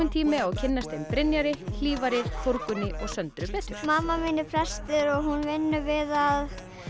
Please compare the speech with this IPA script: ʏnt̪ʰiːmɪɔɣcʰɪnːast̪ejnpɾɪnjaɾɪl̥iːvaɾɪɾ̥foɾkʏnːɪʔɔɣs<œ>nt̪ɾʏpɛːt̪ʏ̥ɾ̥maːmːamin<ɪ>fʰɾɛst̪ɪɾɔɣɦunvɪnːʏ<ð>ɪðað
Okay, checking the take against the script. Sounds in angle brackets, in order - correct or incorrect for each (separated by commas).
correct, correct, incorrect